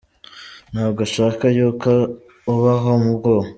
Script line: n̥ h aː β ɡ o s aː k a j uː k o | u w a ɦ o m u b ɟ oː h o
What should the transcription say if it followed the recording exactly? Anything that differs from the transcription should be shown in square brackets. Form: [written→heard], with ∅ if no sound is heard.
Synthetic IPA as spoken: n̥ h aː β ɡ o [s→ʃ] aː k a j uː k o | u [w→β] a ɦ o m u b [ɟ→ɡ] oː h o